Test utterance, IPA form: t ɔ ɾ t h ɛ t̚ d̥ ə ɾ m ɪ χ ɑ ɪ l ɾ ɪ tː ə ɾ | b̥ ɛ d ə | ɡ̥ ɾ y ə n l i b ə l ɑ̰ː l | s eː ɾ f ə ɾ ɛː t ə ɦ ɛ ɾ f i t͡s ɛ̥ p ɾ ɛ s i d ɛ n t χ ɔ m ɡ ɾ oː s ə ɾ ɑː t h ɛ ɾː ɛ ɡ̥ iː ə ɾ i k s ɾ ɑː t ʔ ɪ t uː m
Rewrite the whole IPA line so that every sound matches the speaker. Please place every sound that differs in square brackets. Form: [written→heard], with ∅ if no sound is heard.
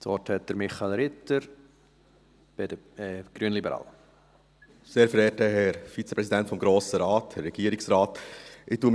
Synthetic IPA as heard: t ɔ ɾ t h ɛ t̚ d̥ ə ɾ m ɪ χ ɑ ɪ l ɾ ɪ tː ə ɾ | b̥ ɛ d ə | ɡ̥ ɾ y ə n l i b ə [l→ɾ] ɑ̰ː l | s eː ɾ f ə ɾ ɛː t ə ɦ ɛ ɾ f i t͡s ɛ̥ p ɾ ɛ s i d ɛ n t [χ→f] ɔ m ɡ ɾ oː s ə ɾ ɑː t h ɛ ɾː ɛ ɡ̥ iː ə ɾ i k s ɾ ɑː t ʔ ɪ t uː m